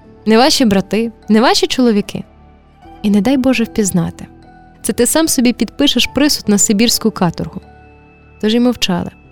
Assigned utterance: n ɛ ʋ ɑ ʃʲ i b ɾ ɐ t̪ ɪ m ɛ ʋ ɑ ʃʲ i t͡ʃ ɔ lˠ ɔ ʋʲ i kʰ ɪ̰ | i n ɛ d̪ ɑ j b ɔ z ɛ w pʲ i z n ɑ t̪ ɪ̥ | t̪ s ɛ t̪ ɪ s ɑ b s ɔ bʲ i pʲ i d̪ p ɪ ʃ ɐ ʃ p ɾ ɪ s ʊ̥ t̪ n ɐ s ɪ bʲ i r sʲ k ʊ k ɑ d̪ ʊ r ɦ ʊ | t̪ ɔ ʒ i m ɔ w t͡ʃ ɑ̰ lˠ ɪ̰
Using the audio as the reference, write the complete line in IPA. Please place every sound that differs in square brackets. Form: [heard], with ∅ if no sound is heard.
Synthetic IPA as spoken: n ɛ ʋ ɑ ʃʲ i b ɾ ɐ t̪ ɪ [n] ɛ ʋ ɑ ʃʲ i t͡ʃ ɔ lˠ ɔ ʋʲ i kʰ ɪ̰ | i n ɛ d̪ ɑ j b ɔ [ʒ] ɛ w pʲ i z n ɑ t̪ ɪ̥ | t̪ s ɛ t̪ ɪ s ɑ [m] s ɔ bʲ i pʲ i d̪ p ɪ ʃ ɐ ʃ p ɾ ɪ s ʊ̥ t̪ n ɐ s ɪ bʲ i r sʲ k ʊ k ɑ [t̪] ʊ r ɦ ʊ | t̪ ɔ ʒ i m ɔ w t͡ʃ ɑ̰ lˠ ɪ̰